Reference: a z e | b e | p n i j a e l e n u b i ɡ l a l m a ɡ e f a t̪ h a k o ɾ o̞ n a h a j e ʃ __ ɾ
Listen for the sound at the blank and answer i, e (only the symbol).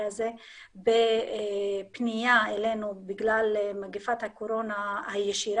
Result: i